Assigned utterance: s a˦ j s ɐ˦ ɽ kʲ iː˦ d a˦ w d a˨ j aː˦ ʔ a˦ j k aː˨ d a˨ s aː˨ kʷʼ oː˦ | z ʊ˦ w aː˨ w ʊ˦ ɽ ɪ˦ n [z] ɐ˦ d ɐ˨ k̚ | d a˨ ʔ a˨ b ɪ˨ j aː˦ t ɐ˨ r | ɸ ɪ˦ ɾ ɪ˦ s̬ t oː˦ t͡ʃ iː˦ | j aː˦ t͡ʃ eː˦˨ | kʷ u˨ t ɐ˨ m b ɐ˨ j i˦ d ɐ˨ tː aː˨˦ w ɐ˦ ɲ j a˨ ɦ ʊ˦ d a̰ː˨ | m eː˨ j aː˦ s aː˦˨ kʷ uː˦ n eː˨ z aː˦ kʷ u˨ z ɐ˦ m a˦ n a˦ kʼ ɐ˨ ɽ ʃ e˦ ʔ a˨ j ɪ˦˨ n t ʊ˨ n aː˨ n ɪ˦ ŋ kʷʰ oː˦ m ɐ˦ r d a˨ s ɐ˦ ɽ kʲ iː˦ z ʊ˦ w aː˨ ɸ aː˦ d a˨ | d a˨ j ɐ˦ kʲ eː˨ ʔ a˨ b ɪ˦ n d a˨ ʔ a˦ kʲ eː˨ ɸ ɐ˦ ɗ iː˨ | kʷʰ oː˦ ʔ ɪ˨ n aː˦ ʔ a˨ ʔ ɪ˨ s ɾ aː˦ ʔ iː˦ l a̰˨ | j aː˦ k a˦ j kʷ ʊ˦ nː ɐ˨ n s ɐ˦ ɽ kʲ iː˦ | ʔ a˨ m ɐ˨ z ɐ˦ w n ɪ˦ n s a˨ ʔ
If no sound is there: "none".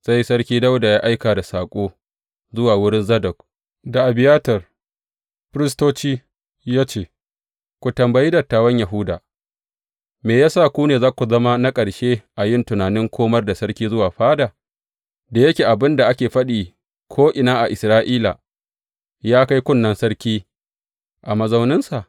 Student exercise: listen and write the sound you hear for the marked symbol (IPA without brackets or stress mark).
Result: z